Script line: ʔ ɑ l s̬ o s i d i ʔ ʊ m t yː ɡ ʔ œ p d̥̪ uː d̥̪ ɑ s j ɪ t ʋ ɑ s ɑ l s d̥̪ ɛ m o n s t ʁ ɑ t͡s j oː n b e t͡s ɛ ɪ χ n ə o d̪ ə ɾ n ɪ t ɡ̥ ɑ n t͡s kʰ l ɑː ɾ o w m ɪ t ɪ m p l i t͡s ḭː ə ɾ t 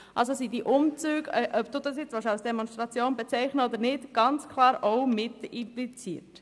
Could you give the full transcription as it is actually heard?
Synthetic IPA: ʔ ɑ l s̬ o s i d i ʔ ʊ m t͡s yː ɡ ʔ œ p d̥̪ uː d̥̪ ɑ s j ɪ t͡s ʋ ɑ ʃ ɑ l s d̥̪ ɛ m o n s t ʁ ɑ t͡s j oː n b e t͡s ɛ ɪ χ n ə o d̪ ə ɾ n ɪ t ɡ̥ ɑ n t͡s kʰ l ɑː ɾ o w m ɪ t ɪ m p l i t͡s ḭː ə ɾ t

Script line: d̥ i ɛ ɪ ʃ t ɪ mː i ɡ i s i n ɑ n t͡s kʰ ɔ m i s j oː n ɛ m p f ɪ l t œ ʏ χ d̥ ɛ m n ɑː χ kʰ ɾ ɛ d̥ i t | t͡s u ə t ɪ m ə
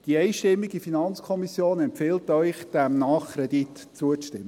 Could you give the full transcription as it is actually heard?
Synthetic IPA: d̥ i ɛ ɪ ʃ t ɪ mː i ɡ i f i n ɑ n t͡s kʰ ɔ m i s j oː n ɛ m p f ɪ l t œ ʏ χ d̥ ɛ m n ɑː χ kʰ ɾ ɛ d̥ i t | t͡s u ə t ɪ m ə

